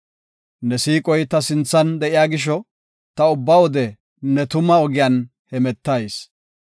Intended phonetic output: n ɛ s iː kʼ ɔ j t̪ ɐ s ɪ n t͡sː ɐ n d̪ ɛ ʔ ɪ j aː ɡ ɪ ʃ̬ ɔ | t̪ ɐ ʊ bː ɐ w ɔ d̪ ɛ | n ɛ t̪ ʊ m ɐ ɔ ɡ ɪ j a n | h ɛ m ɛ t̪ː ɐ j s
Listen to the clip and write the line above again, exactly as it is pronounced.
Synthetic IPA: n ɛ s iː kʼ ɔ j t̪ ɐ s ɪ n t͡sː ɐ n d̪ ɛ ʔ ɪ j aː ɡ ɪ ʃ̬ ɔ | t̪ ɐ ʊ bː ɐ w ɔ d̪ ɛ | n ɛ t̪ ʊ m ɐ ɔ ɡ ɪ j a n | h ɛ m ɛ t̪ː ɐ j s